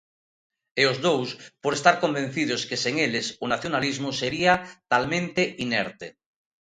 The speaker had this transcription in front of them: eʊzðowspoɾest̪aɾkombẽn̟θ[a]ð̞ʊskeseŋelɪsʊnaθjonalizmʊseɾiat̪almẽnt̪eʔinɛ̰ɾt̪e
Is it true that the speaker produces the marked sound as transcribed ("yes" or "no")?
no